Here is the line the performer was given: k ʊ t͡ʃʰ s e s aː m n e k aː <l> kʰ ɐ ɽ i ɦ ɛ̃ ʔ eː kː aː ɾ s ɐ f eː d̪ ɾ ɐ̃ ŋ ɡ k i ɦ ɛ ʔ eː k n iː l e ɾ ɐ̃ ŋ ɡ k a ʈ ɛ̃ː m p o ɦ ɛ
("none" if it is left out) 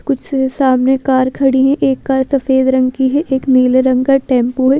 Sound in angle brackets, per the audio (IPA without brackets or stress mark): ɾ